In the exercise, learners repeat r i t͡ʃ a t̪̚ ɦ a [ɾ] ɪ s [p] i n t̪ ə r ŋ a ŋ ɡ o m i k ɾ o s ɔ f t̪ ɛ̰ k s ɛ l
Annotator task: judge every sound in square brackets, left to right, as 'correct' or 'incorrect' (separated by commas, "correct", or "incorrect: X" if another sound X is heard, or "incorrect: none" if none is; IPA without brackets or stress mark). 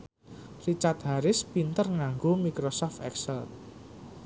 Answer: correct, correct